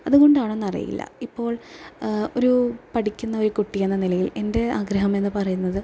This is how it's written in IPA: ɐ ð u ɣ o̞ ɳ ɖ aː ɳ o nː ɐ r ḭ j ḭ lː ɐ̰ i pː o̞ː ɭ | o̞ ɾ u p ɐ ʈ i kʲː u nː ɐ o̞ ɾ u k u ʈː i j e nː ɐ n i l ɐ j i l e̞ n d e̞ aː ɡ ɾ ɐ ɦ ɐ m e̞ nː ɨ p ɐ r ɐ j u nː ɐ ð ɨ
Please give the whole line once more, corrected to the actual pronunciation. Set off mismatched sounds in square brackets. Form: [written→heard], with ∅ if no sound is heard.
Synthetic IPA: ɐ ð u ɣ o̞ ɳ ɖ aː ɳ o nː ɐ r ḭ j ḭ lː ɐ̰ i pː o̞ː ɭ | o̞ ɾ u p ɐ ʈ i kʲː u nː ɐ o̞ ɾ u k u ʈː i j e nː ɐ n i l ɐ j i l e̞ n d e̞ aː ɡ ɾ ɐ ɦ ɐ m e̞ nː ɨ p ɐ r ɐ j u nː ɐ ð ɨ

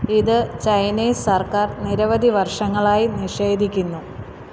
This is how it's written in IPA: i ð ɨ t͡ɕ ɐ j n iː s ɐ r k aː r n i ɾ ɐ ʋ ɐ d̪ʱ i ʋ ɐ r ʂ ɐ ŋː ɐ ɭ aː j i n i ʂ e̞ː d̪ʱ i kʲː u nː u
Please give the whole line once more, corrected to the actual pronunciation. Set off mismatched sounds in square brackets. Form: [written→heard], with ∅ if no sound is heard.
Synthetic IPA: i ð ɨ t͡ɕ ɐ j n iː s ɐ r k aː r n i ɾ ɐ ʋ ɐ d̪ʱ i ʋ ɐ r ʂ ɐ ŋː ɐ ɭ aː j i n i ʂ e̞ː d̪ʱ i kʲː u nː u

